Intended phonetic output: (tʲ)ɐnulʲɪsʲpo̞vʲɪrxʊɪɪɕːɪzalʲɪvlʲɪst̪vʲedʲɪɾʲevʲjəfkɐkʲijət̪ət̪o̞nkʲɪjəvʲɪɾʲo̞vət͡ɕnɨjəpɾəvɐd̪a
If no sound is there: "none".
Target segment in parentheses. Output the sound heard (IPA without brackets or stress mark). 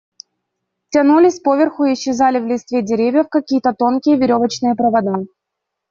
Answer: tʲ